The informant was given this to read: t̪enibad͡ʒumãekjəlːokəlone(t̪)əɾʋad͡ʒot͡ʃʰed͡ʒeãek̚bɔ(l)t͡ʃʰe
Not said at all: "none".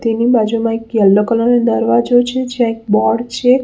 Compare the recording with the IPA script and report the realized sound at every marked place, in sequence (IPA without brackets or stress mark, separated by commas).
d̪, ɽ